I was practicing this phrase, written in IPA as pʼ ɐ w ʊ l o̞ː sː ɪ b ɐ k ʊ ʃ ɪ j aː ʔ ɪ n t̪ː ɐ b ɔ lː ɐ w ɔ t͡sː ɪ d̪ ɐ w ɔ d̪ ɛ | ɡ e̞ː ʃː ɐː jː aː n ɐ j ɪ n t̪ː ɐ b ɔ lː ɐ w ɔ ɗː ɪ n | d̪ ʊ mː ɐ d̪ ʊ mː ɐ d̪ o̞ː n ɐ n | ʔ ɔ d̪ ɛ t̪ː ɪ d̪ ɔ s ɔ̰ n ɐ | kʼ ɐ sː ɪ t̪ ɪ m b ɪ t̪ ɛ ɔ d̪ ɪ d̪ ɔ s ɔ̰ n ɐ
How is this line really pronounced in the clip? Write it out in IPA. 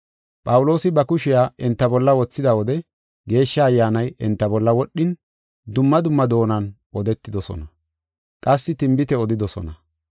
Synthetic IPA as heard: pʼ ɐ w ʊ l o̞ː s ɪ b ɐ k ʊ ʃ ɪ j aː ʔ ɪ n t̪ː ɐ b ɔ lː ɐ w ɔ t͡sː ɪ d̪ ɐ w ɔ d̪ ɛ | ɡ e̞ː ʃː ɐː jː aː n ɐ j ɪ n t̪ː ɐ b ɔ lː ɐ w ɔ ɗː ɪ n | d̪ ʊ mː ɐ d̪ ʊ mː ɐ d̪ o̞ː n ɐ n | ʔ ɔ d̪ ɛ t̪ː ɪ d̪ ɔ s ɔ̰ n ɐ | kʼ ɐ sː ɪ t̪ ɪ m b ɪ t̪ ɛ ɔ d̪ ɪ d̪ ɔ s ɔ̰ n ɐ

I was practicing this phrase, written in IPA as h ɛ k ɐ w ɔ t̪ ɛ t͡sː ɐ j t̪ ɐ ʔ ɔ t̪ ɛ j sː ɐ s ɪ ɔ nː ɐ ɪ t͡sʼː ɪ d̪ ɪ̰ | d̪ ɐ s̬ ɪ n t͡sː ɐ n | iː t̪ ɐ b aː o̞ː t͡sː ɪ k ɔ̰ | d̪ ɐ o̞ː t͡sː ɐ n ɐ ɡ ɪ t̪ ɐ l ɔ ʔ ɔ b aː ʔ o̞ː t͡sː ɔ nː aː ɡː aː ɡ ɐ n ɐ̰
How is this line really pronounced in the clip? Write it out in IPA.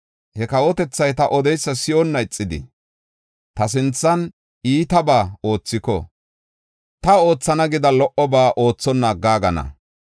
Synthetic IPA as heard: h ɛ k ɐ w ɔ t̪ ɛ t͡sː ɐ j t̪ ɐ ʔ ɔ d̪ ɛ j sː ɐ s ɪ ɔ nː ɐ ɪ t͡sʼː ɪ d̪ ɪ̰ | t̪ ɐ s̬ ɪ n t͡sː ɐ n | iː t̪ ɐ b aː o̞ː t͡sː ɪ k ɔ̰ | t̪ ɐ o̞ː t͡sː ɐ n ɐ ɡ ɪ d̪ ɐ l ɔ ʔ ɔ b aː ʔ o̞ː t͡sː ɔ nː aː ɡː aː ɡ ɐ n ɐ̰

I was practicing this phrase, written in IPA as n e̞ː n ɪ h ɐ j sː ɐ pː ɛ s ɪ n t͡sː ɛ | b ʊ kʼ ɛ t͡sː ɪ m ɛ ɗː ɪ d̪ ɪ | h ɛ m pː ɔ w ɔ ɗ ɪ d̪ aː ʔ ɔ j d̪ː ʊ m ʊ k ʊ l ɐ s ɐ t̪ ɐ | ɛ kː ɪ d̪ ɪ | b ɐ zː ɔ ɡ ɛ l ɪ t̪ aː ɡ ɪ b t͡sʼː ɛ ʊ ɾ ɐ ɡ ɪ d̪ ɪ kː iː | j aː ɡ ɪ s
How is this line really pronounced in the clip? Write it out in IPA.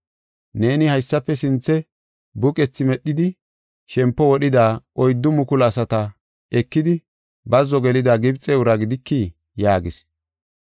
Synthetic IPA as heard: n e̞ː n ɪ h ɐ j sː ɐ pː ɛ s ɪ n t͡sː ɛ | b ʊ kʼ ɛ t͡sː ɪ m ɛ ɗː ɪ d̪ ɪ | ʃ ɛ m pː ɔ w ɔ ɗ ɪ d̪ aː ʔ ɔ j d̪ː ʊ m ʊ k ʊ l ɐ s ɐ t̪ ɐ | ɛ kː ɪ d̪ ɪ | b ɐ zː ɔ ɡ ɛ l ɪ d̪ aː ɡ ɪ b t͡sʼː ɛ ʊ ɾ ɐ ɡ ɪ d̪ ɪ kː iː | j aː ɡ ɪ s

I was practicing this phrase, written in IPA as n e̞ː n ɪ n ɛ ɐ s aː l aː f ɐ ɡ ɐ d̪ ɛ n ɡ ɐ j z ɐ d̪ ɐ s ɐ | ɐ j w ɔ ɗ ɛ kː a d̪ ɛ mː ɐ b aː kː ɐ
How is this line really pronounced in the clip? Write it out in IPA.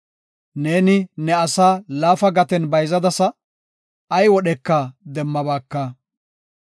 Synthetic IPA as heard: n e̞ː n ɪ n ɛ ɐ s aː l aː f ɐ ɡ ɐ t̪ ɛ n b ɐ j z ɐ d̪ ɐ s ɐ | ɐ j w ɔ ɗ ɛ kː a d̪ ɛ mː ɐ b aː kː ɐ

